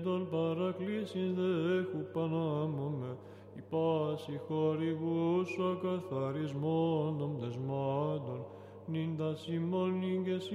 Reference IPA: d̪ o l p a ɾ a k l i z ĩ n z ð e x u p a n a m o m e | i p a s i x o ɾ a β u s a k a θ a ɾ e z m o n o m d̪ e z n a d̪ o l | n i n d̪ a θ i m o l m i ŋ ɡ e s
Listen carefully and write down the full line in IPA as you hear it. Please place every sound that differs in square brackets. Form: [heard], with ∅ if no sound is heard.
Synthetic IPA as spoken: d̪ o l p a ɾ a k l i [s] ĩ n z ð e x u p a n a m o m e | i p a s i x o ɾ [i] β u s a k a θ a ɾ [i] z m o n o m d̪ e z [m] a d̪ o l | n i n d̪ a [s] i m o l [n] i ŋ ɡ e s